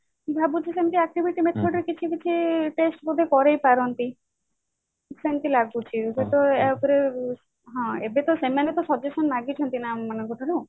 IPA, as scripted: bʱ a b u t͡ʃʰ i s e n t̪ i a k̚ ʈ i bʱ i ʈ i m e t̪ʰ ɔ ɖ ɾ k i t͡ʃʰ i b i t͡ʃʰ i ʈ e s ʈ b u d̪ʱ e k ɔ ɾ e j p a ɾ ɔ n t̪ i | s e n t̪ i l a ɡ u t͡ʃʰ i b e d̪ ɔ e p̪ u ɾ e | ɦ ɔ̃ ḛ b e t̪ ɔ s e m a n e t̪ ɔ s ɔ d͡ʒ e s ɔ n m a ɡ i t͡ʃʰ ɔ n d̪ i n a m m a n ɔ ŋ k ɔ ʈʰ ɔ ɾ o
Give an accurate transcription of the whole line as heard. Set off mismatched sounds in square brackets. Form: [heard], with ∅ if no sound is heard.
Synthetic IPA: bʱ a b u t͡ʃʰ i s e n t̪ i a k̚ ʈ i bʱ i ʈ i m e t̪ʰ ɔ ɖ ɾ k i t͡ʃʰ i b i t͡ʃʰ i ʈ e s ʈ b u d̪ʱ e k ɔ ɾ e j p a ɾ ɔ n t̪ i | s e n t̪ i l a ɡ u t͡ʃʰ i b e [t̪] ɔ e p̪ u ɾ e | ɦ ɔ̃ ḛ b e t̪ ɔ s e m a n e t̪ ɔ s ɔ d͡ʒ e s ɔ n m a ɡ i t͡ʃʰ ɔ n [t̪] i n a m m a n ɔ ŋ k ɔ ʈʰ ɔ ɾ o